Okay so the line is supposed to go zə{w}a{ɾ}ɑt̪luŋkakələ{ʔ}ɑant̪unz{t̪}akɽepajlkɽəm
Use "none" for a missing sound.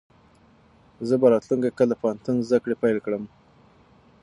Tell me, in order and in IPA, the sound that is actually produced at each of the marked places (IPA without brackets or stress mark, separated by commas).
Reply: b, ɾ, p, d̪